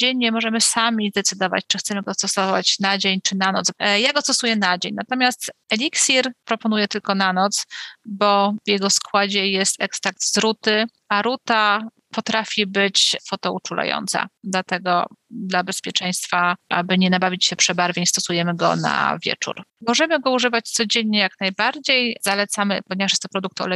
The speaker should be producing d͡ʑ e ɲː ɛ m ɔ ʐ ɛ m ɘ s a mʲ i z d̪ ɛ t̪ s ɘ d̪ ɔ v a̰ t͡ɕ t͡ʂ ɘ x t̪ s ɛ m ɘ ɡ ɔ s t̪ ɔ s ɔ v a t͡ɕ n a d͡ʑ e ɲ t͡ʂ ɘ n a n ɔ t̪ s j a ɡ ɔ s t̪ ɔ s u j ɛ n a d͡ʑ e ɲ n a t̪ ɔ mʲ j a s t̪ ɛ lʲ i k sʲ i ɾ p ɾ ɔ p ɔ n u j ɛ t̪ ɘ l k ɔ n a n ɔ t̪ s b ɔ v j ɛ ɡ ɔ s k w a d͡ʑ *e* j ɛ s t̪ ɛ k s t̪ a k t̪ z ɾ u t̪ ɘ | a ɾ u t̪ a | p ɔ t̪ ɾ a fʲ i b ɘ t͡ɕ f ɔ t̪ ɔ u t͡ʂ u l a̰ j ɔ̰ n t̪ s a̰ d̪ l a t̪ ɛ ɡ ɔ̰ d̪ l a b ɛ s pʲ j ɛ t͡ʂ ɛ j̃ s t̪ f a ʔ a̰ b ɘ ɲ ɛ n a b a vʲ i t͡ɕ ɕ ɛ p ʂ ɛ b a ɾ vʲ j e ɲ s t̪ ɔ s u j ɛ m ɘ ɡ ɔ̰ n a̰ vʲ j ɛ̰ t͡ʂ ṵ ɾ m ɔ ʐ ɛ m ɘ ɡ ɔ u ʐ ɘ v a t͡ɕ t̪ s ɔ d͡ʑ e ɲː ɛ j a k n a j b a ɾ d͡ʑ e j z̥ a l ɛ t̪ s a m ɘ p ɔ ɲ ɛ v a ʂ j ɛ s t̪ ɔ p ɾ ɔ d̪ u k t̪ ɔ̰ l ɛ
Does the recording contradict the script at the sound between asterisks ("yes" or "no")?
yes